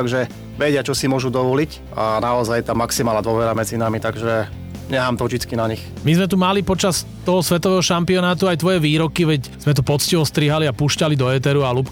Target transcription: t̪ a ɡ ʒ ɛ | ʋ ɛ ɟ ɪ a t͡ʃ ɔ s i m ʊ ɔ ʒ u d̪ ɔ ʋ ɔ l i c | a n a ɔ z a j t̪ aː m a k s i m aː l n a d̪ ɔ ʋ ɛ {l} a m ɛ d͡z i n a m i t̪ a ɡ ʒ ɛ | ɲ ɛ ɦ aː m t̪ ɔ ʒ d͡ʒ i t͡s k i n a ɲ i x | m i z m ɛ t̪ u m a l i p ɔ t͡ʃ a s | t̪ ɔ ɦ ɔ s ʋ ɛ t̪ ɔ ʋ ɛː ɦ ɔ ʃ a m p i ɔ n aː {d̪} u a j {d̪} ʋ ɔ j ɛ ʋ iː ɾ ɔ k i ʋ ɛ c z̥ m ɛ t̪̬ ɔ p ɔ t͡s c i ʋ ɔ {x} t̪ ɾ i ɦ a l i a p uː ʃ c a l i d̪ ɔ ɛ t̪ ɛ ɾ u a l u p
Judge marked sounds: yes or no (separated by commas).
no, no, no, no